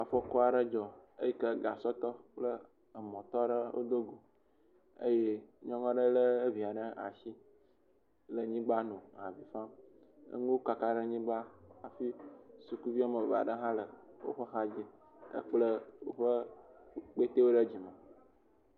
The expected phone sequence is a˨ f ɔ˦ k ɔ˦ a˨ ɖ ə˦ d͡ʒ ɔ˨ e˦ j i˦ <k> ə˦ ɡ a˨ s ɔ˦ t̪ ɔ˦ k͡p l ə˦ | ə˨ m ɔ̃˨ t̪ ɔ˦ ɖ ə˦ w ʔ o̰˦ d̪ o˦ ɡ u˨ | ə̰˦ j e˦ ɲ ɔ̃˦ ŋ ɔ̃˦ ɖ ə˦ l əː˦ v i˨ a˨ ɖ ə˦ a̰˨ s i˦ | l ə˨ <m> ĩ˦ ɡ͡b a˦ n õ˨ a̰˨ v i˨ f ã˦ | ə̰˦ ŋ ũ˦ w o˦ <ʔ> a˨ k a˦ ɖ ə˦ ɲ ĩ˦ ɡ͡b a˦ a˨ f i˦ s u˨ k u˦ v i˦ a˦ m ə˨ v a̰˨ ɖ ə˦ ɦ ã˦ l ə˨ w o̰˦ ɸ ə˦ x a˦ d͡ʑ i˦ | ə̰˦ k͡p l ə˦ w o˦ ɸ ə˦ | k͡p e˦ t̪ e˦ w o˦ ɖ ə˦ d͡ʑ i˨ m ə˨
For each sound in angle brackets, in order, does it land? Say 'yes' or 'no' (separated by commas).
yes, no, no